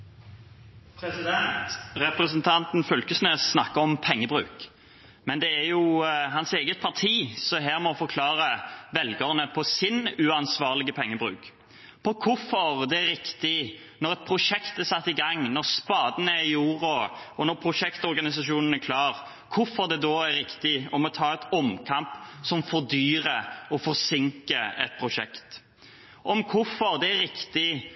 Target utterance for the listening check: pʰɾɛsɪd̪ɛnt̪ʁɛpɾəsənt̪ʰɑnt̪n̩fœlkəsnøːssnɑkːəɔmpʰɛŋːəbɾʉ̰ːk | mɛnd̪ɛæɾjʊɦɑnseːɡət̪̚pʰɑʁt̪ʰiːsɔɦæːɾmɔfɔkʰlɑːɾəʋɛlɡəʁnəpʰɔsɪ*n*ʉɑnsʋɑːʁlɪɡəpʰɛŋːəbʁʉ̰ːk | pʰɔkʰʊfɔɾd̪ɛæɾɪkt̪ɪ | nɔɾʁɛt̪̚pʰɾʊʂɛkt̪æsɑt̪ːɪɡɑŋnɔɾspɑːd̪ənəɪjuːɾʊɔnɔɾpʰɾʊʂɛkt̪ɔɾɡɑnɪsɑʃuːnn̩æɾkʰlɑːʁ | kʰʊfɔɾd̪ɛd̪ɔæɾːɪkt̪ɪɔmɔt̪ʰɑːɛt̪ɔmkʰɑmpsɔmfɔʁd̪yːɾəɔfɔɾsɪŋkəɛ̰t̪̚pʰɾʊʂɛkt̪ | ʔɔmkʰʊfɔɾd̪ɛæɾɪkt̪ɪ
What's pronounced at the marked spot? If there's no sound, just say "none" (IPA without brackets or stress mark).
n